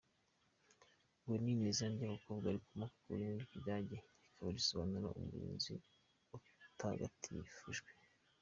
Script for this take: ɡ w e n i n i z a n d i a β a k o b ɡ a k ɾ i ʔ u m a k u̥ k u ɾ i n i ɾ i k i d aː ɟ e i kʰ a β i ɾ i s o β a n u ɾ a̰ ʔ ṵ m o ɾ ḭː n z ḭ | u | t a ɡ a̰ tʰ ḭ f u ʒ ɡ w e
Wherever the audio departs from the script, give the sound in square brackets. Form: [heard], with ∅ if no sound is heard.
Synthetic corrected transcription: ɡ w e n i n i z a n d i a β a k o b ɡ a [∅] ɾ i [k] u m a k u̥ k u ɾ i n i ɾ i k i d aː ɟ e i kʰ a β [a] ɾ i s o β a n u ɾ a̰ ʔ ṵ m [u] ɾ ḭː n z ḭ | u | t a ɡ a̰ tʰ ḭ f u ʒ ɡ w e